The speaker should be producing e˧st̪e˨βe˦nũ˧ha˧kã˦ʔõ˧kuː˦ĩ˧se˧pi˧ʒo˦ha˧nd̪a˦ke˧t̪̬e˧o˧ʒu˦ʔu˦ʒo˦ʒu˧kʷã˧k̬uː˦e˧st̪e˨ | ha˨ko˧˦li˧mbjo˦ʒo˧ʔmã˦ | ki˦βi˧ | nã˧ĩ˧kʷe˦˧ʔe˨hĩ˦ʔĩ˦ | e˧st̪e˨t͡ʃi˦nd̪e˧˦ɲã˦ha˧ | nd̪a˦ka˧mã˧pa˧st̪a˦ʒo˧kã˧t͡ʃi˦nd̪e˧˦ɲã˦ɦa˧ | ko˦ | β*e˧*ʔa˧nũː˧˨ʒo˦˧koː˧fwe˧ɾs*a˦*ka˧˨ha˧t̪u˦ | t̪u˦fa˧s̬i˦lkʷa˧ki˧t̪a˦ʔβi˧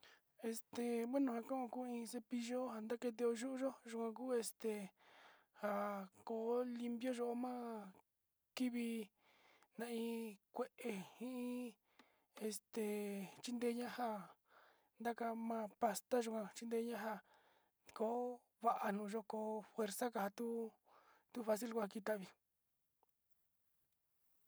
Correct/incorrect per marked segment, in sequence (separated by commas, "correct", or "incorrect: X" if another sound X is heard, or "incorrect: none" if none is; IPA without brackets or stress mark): incorrect: a˧, correct